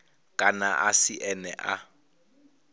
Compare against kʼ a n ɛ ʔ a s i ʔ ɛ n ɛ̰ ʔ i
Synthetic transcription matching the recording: kʼ a n a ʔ a s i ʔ ɛ n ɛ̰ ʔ a